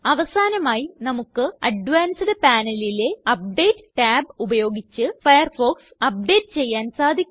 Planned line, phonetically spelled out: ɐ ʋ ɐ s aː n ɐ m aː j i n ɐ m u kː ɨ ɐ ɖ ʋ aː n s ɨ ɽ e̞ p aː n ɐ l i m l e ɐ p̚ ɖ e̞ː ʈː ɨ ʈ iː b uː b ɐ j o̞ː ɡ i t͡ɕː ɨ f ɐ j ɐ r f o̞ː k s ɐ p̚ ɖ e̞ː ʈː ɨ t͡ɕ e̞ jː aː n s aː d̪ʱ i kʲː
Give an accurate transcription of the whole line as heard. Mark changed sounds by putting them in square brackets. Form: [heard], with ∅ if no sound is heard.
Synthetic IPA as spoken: ɐ ʋ ɐ s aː n ɐ m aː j i n ɐ m u kː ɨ ɐ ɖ ʋ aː n s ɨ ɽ e̞ p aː n ɐ l i [∅] l e ɐ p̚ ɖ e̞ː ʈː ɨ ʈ [aː] b [u] b ɐ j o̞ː ɡ i t͡ɕː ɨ f ɐ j ɐ r f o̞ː k s ɐ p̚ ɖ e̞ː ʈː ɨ t͡ɕ e̞ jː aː n s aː d̪ʱ i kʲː

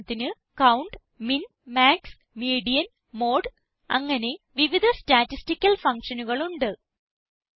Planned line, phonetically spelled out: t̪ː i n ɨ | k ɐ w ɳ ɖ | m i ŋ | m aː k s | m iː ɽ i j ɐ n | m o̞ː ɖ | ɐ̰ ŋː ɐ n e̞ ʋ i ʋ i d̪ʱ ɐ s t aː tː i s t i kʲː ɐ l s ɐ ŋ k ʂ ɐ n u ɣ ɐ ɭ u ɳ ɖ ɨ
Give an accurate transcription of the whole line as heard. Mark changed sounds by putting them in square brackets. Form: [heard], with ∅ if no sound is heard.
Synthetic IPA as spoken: t̪ː i n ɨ | k ɐ w ɳ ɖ | m i [n] | m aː k s | m iː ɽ i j ɐ n | m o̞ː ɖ | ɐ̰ ŋː ɐ n e̞ ʋ i ʋ i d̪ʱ ɐ s t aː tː i s t i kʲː ɐ l [f] ɐ ŋ k ʂ ɐ n u ɣ ɐ ɭ u ɳ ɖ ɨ

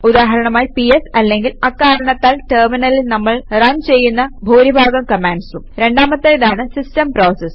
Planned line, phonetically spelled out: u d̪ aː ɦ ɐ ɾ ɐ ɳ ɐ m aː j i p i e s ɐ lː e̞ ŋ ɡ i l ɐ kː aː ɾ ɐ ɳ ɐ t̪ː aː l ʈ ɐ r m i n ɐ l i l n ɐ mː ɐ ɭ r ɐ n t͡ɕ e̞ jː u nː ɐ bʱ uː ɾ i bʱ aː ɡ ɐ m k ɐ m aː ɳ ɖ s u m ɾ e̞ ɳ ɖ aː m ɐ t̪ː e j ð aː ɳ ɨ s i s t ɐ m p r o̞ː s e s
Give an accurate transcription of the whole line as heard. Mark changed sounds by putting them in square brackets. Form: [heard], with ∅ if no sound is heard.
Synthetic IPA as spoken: u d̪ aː ɦ ɐ ɾ ɐ ɳ ɐ m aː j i p i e s ɐ lː e̞ ŋ ɡ i l ɐ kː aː ɾ ɐ ɳ ɐ t̪ː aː l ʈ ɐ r m i n ɐ l i l n ɐ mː ɐ ɭ r ɐ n t͡ɕ e̞ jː u nː ɐ bʱ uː ɾ i bʱ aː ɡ ɐ m k ɐ m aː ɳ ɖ s u m ɾ e̞ ɳ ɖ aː m ɐ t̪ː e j ð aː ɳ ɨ s i s t ɐ m p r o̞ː s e s

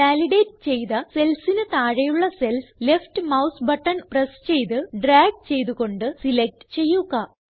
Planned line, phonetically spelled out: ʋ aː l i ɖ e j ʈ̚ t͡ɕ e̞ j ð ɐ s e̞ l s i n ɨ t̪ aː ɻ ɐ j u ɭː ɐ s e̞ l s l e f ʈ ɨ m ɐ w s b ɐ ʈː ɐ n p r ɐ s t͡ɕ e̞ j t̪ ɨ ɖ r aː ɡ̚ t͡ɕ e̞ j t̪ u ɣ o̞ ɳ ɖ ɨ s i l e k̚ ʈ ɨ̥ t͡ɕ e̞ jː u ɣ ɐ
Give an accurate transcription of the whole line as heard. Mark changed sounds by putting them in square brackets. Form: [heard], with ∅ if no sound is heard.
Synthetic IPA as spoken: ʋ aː l i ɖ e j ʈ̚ t͡ɕ e̞ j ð ɐ s e̞ l s i n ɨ t̪ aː ɻ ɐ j u ɭː ɐ s e̞ l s l e f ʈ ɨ m ɐ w s b ɐ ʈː ɐ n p r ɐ s t͡ɕ e̞ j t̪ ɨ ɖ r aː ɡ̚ t͡ɕ e̞ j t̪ u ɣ o̞ ɳ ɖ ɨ s i l e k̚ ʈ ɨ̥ t͡ɕ e̞ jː u ɣ ɐ

